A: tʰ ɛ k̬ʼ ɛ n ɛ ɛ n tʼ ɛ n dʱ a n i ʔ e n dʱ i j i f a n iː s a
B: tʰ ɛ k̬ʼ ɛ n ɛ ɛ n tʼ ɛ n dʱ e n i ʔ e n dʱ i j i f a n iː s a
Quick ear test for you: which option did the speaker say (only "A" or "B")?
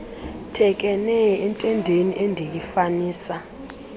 B